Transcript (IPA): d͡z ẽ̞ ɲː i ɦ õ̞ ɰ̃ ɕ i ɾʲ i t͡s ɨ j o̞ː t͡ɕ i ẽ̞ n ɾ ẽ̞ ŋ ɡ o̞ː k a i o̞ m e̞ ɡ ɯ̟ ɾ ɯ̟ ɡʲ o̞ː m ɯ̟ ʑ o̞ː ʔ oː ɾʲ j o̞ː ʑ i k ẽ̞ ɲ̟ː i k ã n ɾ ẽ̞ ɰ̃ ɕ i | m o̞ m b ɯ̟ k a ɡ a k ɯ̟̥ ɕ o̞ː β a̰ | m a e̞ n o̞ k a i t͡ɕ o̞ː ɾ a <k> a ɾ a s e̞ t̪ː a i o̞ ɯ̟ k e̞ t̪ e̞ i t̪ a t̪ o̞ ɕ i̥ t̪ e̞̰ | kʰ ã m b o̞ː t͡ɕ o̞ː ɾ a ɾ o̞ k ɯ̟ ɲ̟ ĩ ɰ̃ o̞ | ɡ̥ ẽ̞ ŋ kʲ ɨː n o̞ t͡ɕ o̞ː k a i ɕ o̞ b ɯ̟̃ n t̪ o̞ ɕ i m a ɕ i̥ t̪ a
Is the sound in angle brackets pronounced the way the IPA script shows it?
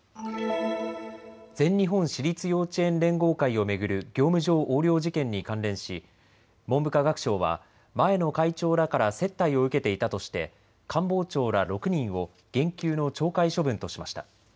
yes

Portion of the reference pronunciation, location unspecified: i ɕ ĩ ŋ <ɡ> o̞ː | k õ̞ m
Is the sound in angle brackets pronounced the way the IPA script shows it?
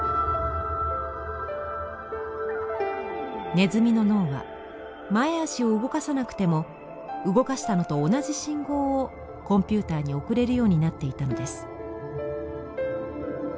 yes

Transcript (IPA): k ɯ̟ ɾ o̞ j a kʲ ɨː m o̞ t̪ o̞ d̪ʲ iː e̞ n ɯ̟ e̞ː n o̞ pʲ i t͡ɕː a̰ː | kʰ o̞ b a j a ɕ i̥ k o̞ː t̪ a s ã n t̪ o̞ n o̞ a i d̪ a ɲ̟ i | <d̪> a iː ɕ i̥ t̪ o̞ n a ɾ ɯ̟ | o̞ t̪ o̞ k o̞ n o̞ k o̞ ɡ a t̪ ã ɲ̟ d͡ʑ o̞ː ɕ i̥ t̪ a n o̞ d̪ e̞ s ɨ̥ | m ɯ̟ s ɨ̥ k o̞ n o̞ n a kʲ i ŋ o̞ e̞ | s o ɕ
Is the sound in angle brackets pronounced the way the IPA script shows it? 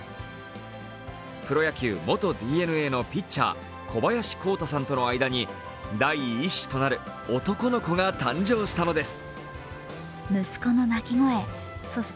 yes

